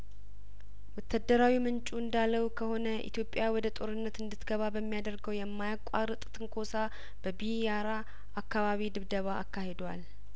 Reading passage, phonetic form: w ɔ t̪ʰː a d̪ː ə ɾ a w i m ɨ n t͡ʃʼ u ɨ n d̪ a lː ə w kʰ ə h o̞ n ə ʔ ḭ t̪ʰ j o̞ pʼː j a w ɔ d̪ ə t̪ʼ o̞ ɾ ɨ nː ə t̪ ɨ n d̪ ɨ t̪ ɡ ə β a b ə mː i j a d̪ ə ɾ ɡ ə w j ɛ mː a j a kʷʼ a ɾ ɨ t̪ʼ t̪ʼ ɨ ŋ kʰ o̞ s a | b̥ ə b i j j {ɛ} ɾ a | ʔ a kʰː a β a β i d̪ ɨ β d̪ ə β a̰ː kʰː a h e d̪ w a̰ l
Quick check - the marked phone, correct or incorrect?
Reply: incorrect